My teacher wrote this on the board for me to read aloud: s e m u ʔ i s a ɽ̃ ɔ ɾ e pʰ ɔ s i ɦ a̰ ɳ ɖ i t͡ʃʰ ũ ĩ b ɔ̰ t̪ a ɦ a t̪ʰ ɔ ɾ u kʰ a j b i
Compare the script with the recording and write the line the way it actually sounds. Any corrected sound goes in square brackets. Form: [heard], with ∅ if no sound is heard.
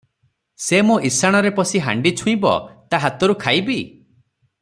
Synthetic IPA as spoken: s e m u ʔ i s a ɽ̃ ɔ ɾ e [p] ɔ s i ɦ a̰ ɳ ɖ i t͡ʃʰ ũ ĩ b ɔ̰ t̪ a ɦ a [t̪] ɔ ɾ u kʰ a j b i